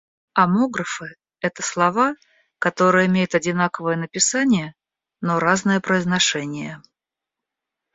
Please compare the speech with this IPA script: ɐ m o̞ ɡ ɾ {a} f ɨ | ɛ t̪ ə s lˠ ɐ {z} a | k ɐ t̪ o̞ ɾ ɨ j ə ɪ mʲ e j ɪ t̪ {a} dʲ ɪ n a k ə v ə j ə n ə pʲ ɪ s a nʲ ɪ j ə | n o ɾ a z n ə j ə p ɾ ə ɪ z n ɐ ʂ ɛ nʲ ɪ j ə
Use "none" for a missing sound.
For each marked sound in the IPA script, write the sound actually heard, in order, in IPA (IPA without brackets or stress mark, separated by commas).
ə, v, ɐ